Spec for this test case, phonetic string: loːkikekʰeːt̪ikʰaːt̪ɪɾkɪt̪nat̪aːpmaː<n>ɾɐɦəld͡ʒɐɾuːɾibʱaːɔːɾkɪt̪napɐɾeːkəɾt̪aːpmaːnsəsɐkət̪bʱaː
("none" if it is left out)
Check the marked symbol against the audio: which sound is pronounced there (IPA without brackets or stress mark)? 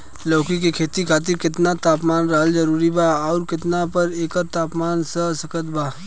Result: n